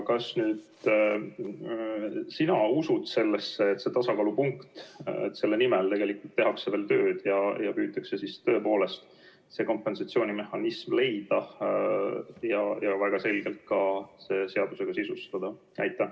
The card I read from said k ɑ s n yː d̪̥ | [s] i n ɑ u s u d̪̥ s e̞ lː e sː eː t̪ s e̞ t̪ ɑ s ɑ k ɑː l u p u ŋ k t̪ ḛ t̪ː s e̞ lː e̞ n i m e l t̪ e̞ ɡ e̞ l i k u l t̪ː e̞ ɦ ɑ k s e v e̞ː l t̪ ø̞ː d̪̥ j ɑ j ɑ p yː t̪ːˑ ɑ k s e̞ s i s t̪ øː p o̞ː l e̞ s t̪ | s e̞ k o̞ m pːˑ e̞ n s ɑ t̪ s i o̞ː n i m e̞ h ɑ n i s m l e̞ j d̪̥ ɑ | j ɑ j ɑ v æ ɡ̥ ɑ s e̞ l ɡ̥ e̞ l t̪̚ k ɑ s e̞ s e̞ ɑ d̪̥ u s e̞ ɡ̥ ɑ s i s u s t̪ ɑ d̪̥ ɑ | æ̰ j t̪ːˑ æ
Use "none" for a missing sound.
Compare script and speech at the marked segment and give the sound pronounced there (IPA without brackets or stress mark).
s